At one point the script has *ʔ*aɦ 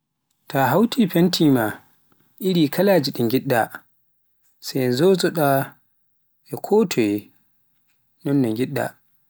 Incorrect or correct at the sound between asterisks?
incorrect: t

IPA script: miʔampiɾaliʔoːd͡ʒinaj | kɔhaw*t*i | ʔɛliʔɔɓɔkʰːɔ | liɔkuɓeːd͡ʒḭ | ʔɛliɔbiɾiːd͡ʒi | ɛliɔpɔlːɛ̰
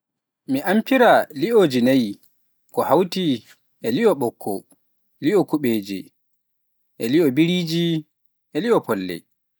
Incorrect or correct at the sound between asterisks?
correct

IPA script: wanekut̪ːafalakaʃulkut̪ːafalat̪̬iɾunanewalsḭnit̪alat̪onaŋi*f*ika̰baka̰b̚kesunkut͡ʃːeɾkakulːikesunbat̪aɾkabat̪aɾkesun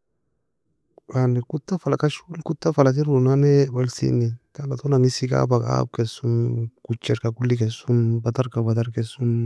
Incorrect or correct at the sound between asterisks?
incorrect: s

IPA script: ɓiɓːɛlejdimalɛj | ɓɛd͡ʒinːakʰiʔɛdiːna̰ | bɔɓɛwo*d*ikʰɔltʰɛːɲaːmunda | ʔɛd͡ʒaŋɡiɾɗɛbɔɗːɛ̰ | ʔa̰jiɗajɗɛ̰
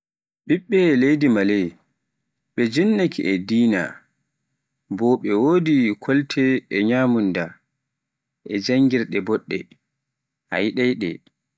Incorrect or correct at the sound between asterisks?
correct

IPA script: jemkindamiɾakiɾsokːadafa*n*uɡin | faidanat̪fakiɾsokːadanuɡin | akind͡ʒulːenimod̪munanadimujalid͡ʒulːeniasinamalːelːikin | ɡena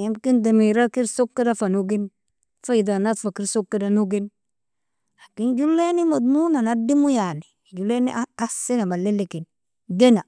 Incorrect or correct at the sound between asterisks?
correct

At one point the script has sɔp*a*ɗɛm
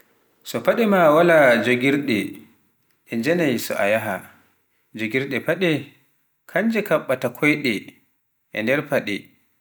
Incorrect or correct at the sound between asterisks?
correct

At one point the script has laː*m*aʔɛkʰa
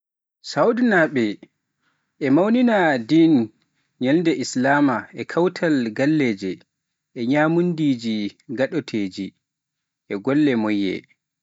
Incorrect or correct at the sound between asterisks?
correct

